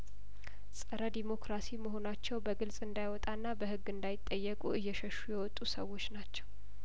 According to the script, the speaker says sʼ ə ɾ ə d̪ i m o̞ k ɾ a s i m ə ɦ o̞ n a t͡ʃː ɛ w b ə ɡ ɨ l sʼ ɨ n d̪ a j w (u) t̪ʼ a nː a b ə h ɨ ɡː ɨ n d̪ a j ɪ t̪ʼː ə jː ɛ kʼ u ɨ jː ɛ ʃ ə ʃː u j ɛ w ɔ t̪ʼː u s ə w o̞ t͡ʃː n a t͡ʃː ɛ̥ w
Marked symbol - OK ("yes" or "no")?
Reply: no